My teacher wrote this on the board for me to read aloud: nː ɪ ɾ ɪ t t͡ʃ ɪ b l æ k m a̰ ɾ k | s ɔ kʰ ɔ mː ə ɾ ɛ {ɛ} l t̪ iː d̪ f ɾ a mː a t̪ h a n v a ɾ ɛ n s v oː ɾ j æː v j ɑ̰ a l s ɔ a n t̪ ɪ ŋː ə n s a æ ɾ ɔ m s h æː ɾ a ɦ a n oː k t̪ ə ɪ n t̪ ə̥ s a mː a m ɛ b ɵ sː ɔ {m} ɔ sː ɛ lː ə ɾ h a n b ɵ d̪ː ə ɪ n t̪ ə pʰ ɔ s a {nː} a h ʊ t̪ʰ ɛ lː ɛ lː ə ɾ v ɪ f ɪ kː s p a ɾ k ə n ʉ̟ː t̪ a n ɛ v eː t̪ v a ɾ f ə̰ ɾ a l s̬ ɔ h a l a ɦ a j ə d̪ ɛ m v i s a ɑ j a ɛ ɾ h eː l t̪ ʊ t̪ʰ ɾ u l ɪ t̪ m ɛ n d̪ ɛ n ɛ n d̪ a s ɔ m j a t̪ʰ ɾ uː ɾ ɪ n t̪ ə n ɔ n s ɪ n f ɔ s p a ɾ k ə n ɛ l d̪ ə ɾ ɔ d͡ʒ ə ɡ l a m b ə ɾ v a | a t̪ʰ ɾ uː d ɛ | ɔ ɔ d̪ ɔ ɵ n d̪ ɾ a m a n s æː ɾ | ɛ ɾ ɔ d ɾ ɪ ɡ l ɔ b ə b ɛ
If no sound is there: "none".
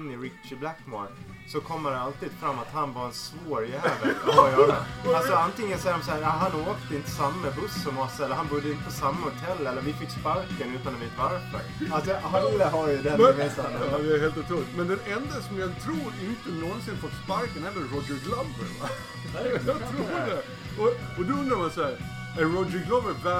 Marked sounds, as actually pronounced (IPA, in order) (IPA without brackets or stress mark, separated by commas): a, m, mː